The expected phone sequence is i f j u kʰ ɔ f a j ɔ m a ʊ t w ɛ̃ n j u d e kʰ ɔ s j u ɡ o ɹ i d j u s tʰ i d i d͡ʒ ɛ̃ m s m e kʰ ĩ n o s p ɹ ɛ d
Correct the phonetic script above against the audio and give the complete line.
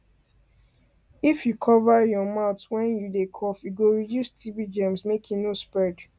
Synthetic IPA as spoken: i f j u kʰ ɔ v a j ɔ m a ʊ t w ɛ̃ n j u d e kʰ ɔ f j u ɡ o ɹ i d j u s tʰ i b i d͡ʒ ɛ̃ m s m e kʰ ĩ n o s p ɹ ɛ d